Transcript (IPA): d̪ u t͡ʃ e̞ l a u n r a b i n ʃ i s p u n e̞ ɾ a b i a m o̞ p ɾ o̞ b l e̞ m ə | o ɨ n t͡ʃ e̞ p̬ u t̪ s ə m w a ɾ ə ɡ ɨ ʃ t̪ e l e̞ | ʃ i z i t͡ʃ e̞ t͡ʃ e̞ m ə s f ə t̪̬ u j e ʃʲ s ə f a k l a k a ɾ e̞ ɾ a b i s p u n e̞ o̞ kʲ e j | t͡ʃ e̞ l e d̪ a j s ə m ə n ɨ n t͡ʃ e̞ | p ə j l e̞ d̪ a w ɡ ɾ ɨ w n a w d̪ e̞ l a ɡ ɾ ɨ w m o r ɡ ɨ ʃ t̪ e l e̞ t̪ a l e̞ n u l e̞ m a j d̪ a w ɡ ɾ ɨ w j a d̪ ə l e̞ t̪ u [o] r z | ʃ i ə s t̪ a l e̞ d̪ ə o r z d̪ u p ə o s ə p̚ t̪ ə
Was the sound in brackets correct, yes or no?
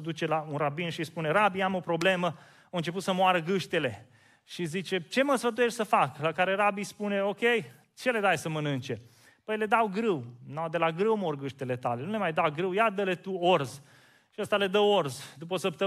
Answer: yes